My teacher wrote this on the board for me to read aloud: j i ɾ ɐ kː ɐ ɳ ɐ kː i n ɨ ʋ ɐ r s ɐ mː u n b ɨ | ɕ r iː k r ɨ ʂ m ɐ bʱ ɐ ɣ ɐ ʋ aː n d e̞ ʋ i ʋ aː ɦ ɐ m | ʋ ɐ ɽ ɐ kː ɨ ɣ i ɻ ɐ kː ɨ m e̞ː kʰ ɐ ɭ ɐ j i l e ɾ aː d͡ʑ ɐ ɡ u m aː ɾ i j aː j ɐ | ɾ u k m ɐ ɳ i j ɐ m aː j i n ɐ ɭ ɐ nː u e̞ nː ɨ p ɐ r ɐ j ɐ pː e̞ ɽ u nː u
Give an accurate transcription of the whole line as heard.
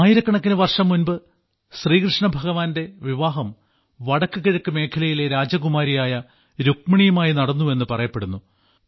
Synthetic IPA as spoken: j i ɾ ɐ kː ɐ ɳ ɐ kː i n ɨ ʋ ɐ r ʂ ɐ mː u n b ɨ | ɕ r iː k r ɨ ʂ ɳ ɐ bʱ ɐ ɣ ɐ ʋ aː n d e̞ ʋ i ʋ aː ɦ ɐ m | ʋ ɐ ɽ ɐ kː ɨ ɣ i ɻ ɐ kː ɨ m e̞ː kʰ ɐ l ɐ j i l e ɾ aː d͡ʑ ɐ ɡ u m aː ɾ i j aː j ɐ | ɾ u k m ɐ ɳ i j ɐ m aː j i n ɐ ɽ ɐ nː u e̞ nː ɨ p ɐ r ɐ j ɐ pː e̞ ɽ u nː u